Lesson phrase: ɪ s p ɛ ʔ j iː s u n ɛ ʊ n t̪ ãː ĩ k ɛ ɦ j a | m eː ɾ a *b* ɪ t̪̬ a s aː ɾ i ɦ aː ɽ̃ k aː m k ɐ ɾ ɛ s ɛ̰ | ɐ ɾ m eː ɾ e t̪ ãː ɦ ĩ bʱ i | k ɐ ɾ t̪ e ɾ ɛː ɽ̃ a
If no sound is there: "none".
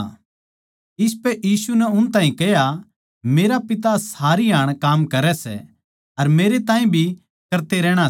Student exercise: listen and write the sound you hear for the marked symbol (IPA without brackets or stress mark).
p